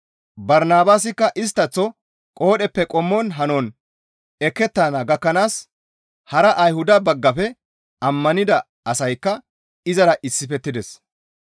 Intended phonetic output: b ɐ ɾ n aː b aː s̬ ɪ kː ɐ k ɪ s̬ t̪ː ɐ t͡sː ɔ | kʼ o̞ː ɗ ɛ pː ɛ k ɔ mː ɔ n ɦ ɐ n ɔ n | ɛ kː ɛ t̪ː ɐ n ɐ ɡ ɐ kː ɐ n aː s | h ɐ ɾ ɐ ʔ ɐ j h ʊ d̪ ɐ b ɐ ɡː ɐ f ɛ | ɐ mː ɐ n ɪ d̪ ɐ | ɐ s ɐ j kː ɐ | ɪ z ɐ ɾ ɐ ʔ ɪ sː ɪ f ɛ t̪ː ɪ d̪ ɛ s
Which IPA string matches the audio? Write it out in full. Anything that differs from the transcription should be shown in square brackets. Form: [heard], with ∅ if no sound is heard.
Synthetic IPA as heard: b ɐ ɾ n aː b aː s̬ ɪ kː ɐ [ʔ] ɪ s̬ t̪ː ɐ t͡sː ɔ | kʼ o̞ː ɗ ɛ pː ɛ [kʼ] ɔ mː ɔ n ɦ ɐ n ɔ n | ɛ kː ɛ t̪ː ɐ n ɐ ɡ ɐ kː ɐ n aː s | h ɐ ɾ ɐ ʔ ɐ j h ʊ d̪ ɐ b ɐ ɡː ɐ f ɛ | ɐ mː ɐ n ɪ d̪ ɐ | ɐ s ɐ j kː ɐ | ɪ z ɐ ɾ ɐ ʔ ɪ sː ɪ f ɛ t̪ː ɪ d̪ ɛ s